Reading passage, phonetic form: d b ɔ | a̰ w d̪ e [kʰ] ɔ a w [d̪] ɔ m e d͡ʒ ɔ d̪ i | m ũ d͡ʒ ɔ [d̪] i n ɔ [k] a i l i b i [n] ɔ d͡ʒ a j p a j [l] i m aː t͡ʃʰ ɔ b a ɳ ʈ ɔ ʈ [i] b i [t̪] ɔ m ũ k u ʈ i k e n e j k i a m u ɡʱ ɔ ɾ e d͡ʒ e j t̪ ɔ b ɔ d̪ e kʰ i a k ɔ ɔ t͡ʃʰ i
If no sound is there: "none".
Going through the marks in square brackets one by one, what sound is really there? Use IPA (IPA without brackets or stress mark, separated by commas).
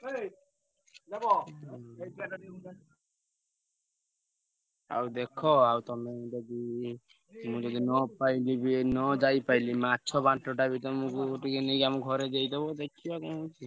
kʰ, t̪, d̪, p, n, l, a, t̪